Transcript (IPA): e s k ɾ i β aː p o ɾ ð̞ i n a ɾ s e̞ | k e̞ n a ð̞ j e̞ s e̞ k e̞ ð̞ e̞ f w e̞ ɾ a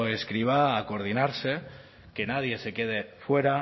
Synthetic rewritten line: e s k ɾ i β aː k o ɾ ð̞ i n a ɾ s e̞ | k e̞ n a ð̞ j e̞ s e̞ k e̞ ð̞ e̞ f w e̞ ɾ a